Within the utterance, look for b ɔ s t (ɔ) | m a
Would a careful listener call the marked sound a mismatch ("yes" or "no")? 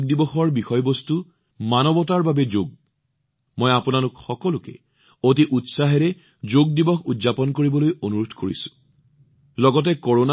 yes